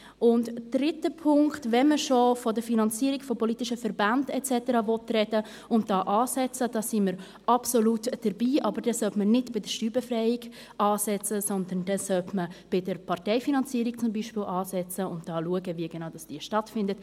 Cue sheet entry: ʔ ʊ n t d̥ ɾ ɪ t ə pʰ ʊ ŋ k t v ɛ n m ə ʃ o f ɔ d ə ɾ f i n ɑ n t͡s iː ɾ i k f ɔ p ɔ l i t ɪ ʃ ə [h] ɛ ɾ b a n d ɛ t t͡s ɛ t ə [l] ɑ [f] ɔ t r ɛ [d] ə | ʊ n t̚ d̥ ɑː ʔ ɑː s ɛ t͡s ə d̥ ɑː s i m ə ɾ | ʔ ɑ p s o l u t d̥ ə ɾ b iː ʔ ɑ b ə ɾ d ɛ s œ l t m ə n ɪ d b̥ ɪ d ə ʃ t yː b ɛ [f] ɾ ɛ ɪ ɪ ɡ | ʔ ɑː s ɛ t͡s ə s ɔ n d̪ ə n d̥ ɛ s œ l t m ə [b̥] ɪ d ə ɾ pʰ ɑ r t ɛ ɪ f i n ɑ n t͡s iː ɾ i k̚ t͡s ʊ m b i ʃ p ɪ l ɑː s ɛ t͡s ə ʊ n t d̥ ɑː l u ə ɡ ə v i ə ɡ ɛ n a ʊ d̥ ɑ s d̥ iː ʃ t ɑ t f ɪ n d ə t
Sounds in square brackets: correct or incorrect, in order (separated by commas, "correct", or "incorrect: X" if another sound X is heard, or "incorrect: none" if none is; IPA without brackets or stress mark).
incorrect: f, incorrect: ɾ, incorrect: v, correct, correct, correct